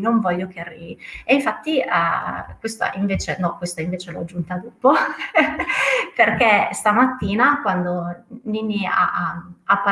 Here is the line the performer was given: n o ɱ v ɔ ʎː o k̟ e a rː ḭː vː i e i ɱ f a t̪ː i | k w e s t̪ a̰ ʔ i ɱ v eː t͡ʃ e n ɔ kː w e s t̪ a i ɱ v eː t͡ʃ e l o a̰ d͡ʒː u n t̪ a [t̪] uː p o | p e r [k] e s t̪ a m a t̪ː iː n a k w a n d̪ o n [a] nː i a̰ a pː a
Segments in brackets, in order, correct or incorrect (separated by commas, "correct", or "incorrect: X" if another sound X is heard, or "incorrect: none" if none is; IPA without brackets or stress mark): incorrect: d̪, correct, incorrect: i